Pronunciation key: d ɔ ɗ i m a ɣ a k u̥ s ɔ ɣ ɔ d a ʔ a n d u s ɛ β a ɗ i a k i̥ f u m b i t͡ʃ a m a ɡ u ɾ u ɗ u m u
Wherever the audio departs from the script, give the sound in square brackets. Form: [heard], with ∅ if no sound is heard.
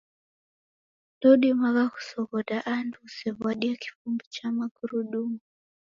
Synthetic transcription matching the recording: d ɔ ɗ i m a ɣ a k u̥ s ɔ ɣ ɔ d a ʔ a n d u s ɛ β a ɗ i a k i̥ f u m b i t͡ʃ a m a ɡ u ɾ u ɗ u m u